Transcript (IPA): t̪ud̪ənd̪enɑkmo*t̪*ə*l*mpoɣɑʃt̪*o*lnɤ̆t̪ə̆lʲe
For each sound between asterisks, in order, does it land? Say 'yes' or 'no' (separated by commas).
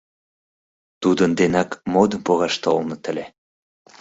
no, no, yes